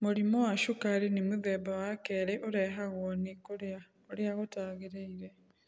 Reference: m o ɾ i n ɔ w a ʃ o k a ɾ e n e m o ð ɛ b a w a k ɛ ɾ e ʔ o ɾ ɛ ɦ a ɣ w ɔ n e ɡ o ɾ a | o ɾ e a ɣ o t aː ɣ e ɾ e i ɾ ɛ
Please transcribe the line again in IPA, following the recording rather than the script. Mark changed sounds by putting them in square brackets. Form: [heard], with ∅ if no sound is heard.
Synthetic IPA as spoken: m o ɾ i [m] ɔ w a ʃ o k a ɾ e n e m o ð ɛ b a w a k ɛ ɾ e ʔ o ɾ ɛ ɦ a ɣ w ɔ n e [k] o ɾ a | o ɾ e a ɣ o t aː ɣ e ɾ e i ɾ ɛ